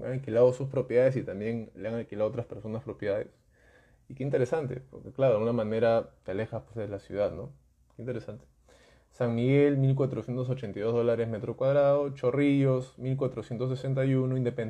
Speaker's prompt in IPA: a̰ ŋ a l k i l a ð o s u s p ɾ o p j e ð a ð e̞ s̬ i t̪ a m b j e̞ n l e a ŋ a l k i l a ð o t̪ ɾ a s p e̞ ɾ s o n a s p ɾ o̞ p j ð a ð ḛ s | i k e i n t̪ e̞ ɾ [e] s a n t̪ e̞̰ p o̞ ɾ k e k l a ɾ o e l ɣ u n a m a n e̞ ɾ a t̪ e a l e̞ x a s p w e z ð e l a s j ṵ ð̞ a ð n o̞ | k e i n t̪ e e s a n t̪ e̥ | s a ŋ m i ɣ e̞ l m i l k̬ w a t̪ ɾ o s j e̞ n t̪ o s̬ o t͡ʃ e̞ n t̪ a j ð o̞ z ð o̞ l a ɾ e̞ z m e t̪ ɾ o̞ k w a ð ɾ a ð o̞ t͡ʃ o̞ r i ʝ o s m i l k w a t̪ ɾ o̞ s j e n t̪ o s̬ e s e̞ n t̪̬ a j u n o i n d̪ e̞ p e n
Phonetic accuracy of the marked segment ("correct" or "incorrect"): correct